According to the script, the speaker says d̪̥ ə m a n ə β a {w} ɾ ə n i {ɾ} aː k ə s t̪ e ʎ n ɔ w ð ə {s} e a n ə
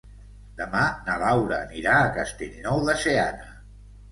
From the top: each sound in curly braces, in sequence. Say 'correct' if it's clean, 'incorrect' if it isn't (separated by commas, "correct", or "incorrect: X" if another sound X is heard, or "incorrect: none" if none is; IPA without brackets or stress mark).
correct, correct, correct